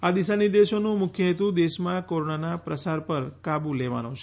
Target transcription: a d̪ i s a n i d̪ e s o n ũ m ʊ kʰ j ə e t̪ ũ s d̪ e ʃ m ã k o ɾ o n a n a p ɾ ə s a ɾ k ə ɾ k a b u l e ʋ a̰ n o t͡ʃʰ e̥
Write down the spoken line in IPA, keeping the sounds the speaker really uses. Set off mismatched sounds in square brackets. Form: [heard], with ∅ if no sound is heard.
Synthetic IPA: a d̪ i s a n i d̪ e [ʃ] o n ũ m ʊ kʰ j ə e t̪ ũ [∅] d̪ e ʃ m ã k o ɾ o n a n a p ɾ ə s a ɾ [p] ə ɾ k a b u l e ʋ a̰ n o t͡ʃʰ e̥